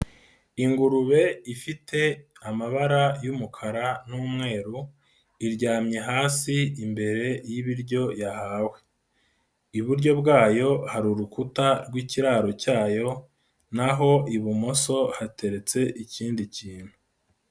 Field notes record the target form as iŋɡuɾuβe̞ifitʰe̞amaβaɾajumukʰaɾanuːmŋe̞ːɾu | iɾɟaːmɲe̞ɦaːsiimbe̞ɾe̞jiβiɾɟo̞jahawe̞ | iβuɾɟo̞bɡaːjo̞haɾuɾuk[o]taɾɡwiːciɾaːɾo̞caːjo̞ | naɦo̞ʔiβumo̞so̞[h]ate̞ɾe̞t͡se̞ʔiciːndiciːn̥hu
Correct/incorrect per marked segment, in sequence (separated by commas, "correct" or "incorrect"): incorrect, correct